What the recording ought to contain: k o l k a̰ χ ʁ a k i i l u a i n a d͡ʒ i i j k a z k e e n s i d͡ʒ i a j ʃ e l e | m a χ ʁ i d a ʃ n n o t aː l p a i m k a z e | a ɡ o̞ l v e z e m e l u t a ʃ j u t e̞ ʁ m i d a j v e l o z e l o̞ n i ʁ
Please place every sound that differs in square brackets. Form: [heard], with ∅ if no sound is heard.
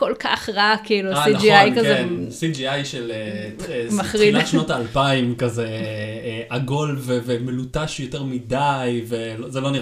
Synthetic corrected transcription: k o l k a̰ χ ʁ a k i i l u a i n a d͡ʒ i [a] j k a z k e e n s i d͡ʒ i a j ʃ e l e | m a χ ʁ i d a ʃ n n o t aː l p a i m k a z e | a ɡ o̞ l v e [v] e m e l u t a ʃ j [o] t e̞ ʁ m i d a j v e l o z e l o̞ n i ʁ